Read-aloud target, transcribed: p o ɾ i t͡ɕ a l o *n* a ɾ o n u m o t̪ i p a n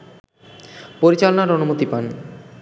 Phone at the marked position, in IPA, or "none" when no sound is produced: n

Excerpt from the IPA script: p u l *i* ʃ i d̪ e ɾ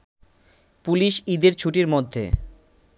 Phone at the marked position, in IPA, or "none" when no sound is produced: i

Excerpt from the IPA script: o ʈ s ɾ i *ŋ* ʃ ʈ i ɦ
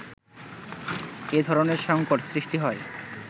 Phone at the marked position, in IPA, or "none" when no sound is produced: none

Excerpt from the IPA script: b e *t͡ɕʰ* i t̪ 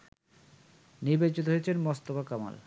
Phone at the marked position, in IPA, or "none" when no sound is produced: t͡ɕ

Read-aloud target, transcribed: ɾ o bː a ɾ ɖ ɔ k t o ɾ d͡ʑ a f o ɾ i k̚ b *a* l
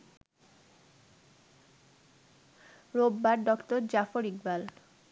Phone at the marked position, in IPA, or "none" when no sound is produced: a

